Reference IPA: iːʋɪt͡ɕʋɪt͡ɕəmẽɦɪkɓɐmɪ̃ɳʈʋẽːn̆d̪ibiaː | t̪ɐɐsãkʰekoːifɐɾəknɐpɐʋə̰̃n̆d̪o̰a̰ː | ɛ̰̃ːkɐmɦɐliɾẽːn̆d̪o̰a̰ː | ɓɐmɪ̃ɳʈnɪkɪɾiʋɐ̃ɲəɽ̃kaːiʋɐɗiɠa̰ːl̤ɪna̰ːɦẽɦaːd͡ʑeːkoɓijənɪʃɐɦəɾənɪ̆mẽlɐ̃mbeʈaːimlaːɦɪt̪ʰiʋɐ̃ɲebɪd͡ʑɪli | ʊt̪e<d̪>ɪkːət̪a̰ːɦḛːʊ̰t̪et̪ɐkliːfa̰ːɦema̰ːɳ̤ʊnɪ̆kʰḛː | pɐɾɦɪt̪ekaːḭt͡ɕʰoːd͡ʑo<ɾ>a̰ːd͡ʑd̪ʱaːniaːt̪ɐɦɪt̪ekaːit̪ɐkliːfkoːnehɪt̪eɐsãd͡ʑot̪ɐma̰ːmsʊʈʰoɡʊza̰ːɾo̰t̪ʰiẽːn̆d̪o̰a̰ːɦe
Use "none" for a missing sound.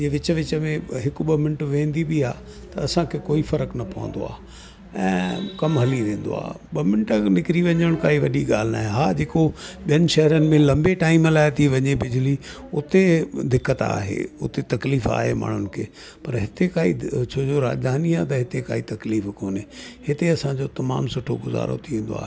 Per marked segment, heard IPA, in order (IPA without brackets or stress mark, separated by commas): d̪, ɾ